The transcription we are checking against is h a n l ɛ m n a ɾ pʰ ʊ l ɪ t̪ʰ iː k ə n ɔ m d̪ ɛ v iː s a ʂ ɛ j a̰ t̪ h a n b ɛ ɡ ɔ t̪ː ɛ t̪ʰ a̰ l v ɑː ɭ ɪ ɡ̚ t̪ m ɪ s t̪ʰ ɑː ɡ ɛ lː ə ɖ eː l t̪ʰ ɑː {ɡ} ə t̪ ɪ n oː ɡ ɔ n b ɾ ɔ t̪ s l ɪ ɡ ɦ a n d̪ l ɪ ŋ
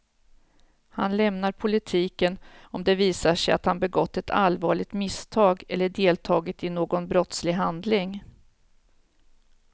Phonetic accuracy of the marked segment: correct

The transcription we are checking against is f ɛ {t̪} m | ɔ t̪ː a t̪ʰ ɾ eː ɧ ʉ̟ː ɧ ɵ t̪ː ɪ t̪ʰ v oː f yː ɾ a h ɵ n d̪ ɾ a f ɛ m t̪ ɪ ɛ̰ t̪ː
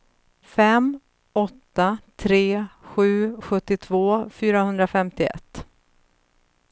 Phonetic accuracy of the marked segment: incorrect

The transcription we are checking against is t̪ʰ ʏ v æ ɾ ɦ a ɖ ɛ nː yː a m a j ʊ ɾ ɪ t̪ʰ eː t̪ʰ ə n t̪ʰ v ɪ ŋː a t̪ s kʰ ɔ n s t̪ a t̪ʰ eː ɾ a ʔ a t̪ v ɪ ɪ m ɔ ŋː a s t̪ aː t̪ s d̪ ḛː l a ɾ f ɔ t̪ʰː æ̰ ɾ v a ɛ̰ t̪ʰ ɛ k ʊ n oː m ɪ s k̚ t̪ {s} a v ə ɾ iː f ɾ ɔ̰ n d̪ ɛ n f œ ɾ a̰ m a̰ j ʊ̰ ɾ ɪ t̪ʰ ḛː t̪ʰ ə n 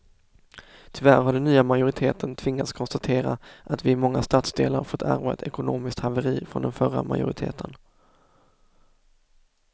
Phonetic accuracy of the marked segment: incorrect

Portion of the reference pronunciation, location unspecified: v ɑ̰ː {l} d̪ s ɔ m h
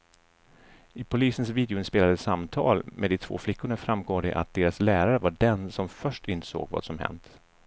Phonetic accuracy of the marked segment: incorrect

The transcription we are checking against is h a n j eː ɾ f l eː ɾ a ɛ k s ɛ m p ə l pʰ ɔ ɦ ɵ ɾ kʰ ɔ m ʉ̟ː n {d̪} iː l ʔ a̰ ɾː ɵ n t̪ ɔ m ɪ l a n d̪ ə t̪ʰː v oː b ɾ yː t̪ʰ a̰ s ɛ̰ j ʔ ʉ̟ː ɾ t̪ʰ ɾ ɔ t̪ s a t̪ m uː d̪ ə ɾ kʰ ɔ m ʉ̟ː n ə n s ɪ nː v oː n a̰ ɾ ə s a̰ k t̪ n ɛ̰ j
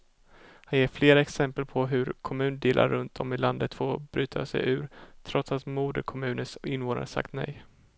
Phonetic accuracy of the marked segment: correct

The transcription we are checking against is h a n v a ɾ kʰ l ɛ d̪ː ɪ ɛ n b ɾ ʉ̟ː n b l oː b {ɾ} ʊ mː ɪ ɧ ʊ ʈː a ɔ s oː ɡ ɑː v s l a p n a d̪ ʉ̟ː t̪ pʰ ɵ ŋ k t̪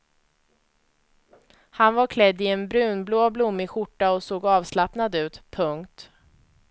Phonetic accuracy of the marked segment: incorrect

